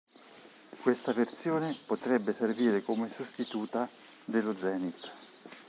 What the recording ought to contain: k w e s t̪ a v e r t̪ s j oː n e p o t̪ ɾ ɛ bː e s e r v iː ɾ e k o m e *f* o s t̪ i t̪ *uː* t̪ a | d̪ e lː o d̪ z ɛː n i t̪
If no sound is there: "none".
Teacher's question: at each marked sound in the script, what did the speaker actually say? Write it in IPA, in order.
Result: s, uː

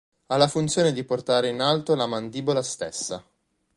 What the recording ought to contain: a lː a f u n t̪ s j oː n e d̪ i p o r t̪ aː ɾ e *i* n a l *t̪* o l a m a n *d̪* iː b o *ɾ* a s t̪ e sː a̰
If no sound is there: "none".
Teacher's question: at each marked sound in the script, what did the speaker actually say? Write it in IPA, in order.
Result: i, t̪, d̪, l

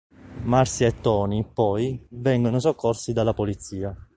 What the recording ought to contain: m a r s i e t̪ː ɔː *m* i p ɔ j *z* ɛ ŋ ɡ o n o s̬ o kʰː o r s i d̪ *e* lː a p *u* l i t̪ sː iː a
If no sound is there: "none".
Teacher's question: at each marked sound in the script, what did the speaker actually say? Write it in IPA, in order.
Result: n, v, a, o

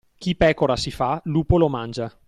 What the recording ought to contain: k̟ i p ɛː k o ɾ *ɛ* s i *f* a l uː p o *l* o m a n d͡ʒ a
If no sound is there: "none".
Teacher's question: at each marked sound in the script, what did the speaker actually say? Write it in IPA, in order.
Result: a, f, l

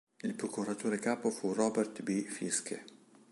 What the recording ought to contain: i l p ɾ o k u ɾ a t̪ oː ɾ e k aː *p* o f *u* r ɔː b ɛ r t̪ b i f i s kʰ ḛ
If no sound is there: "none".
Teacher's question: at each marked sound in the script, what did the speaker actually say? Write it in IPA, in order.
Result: p, u

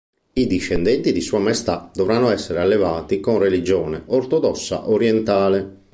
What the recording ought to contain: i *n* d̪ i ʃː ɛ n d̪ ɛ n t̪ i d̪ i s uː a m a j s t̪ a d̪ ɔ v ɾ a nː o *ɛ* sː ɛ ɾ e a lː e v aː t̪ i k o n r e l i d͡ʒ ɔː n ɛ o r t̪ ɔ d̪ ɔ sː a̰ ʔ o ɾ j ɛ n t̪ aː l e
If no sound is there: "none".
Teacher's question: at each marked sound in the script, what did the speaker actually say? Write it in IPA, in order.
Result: none, ɛ

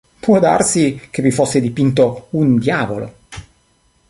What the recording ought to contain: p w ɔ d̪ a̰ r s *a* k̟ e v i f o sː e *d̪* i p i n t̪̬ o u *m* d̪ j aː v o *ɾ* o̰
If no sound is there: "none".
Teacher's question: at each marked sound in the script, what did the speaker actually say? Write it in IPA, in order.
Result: i, d̪, n, l

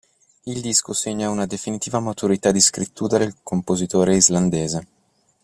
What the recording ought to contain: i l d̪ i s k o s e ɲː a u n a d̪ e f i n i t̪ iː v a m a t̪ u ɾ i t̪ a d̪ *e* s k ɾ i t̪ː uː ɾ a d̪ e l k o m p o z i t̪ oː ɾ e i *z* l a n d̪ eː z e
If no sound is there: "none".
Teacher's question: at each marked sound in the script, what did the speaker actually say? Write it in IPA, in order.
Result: i, z

